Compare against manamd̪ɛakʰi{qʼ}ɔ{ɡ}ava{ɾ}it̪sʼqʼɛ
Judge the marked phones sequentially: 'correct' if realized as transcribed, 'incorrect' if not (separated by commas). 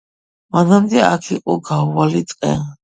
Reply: correct, correct, incorrect